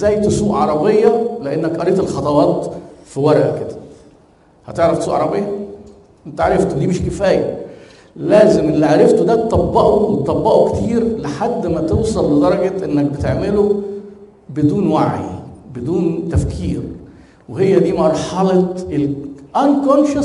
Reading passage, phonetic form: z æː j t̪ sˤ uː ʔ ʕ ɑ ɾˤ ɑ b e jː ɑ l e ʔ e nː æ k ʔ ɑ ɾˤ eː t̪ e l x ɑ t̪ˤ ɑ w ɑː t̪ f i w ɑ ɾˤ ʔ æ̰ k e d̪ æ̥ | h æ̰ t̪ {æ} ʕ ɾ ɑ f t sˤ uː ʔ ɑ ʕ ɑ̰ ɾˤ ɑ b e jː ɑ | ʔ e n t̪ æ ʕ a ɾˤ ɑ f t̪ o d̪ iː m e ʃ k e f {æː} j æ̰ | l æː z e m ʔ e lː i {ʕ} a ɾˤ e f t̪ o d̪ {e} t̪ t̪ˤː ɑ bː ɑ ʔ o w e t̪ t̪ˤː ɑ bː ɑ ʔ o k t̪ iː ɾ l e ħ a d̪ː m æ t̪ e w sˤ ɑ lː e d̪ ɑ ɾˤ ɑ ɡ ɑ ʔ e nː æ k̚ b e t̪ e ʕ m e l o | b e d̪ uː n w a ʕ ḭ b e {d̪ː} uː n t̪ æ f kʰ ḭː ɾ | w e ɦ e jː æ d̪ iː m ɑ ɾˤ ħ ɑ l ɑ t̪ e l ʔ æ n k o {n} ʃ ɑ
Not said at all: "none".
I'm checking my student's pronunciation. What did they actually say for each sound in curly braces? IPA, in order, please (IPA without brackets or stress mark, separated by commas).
e, æː, ʕ, æ, d̪, n